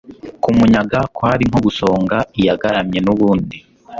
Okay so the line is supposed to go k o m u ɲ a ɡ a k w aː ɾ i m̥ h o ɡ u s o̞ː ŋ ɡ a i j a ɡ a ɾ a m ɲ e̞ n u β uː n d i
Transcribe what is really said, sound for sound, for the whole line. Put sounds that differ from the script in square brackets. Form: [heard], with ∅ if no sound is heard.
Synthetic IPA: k [u] m u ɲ a ɡ a k w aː ɾ i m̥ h o ɡ u s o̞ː ŋ ɡ a i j a ɡ a ɾ a m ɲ e̞ n u β uː n d i

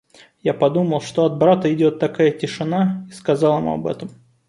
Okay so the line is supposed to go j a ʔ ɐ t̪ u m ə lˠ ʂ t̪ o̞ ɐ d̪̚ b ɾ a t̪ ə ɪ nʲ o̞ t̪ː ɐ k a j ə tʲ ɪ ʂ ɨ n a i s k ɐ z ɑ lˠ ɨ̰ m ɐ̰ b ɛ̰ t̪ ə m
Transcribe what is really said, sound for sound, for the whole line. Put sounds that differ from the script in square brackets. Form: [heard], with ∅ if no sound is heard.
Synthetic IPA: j a [p] ɐ [d̪] u m ə lˠ ʂ t̪ o̞ ɐ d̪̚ b ɾ a t̪ ə ɪ [dʲ] o̞ t̪ː ɐ k a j ə tʲ ɪ ʂ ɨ n a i s k ɐ z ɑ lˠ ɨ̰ m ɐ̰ b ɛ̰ t̪ ə m

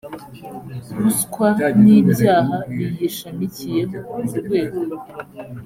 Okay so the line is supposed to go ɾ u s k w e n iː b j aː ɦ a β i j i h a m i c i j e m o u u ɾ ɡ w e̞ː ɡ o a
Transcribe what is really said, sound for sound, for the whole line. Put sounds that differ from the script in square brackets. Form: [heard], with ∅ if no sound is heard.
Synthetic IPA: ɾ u s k w [a] n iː b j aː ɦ a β i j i [ʃ] a m i c i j e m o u u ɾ ɡ w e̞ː ɡ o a

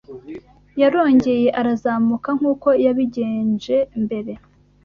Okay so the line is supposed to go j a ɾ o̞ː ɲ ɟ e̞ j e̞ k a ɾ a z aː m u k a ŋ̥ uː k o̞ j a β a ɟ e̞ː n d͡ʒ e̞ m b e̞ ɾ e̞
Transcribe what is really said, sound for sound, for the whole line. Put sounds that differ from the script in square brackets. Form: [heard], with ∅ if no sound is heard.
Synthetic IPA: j a ɾ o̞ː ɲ ɟ e̞ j e̞ [ʔ] a ɾ a z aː m u k a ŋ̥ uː k o̞ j a β [i] ɟ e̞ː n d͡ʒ e̞ m b e̞ ɾ e̞

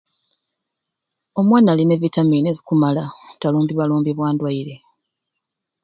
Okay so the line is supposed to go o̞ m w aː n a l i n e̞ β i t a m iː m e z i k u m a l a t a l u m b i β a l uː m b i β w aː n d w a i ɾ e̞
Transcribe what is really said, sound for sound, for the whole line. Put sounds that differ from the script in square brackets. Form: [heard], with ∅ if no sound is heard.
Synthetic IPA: o̞ m w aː n a l i n e̞ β i t a m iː [n] e z i k u m a l a t a l [uː] m b i β a l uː m b i β w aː n d w a i ɾ e̞

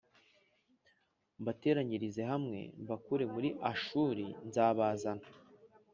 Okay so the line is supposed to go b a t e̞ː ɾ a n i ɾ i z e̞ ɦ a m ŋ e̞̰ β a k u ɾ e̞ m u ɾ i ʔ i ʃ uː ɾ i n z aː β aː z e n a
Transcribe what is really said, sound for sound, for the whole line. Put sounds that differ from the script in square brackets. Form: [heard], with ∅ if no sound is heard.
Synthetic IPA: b a t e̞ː ɾ a [ɲ] i ɾ i z e̞ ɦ a m ŋ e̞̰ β a k u ɾ e̞ m u ɾ i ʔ [a] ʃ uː ɾ i n z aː β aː z [a] n a

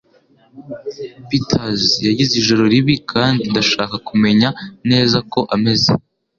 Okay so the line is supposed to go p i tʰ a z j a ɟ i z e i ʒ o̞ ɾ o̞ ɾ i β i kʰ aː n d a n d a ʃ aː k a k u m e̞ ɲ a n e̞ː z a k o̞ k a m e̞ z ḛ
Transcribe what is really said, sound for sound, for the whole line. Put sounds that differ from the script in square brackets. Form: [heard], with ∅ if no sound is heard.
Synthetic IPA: p i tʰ a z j a ɟ i z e i ʒ o̞ ɾ o̞ ɾ i β i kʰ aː n d [i] n d a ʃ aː k a k u m e̞ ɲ a n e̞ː z a k o̞ [ʔ] a m e̞ z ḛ

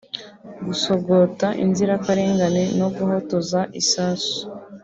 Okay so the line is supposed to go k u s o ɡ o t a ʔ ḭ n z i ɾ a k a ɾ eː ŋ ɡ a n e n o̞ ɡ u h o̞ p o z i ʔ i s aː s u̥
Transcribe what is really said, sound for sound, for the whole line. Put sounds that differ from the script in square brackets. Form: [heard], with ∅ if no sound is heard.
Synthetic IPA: [ɡ] u s o ɡ o t a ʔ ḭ n z i ɾ a k a ɾ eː ŋ ɡ a n e n o̞ ɡ u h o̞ [t] o z [a] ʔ i s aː s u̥

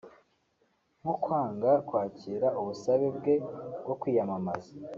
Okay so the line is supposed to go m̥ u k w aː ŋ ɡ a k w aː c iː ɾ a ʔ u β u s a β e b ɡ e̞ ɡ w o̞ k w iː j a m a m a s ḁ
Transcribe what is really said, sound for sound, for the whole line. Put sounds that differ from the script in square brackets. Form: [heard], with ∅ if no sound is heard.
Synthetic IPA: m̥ u k w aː ŋ ɡ a k w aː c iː ɾ a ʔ u β u s a β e b ɡ e̞ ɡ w o̞ k w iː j a m a m a [z] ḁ

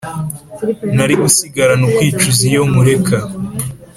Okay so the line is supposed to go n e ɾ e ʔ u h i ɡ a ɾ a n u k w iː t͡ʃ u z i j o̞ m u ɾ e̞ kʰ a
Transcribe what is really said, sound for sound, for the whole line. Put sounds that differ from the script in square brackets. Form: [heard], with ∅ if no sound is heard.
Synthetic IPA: n [a] ɾ [i] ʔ u [s] i ɡ a ɾ a n u k w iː t͡ʃ u z i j o̞ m u ɾ e̞ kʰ a

